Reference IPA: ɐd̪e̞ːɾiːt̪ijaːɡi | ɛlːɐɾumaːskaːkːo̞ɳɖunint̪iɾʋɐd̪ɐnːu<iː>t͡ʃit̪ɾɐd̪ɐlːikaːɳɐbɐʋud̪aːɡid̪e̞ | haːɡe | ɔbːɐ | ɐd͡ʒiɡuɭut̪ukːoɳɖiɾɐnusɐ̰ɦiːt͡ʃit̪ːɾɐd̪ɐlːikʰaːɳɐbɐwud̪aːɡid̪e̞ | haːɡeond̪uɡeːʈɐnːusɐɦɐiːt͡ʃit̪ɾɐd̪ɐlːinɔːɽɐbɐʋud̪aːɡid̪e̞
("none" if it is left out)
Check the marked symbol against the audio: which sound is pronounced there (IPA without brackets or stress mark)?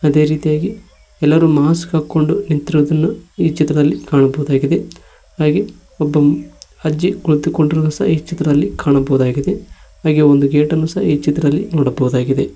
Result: iː